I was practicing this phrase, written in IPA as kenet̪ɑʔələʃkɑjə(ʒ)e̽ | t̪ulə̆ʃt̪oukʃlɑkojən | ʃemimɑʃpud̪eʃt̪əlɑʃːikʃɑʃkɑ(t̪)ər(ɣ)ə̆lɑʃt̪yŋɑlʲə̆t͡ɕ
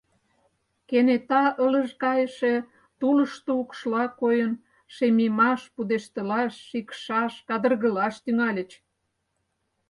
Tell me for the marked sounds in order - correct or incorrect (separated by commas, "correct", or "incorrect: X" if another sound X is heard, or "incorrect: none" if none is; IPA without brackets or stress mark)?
incorrect: ʃ, incorrect: d̪, correct